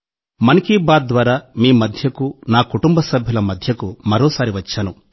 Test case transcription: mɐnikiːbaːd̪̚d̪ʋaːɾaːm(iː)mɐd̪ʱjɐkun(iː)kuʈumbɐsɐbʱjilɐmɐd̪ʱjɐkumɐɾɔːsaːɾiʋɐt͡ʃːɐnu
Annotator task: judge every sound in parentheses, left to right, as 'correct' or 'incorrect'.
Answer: correct, incorrect

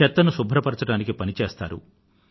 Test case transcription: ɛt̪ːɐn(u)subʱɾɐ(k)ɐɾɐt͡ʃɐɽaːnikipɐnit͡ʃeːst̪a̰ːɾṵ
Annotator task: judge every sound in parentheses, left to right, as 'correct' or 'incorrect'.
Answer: correct, incorrect

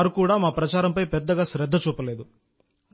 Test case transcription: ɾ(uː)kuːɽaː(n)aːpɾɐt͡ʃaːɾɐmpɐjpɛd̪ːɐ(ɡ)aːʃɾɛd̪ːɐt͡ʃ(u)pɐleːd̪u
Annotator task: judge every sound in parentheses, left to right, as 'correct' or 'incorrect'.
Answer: incorrect, incorrect, correct, incorrect

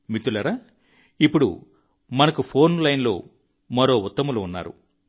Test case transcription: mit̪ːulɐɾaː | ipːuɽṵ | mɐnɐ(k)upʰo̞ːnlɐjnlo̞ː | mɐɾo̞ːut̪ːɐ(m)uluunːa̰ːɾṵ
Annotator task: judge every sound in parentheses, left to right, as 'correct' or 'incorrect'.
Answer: correct, correct

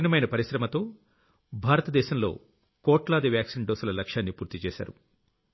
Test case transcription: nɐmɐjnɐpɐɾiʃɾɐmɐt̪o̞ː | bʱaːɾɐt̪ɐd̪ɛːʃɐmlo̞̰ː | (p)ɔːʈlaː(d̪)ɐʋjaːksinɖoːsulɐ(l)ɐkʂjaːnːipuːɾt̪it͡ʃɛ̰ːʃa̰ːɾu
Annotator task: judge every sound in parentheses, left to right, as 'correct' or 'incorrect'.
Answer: incorrect, correct, correct

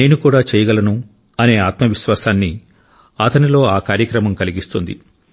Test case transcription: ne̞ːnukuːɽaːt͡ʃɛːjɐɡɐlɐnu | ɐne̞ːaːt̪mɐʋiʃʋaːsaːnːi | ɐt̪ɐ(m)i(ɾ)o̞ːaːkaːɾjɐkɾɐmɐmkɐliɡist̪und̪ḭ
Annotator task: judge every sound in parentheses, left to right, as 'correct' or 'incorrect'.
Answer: incorrect, incorrect

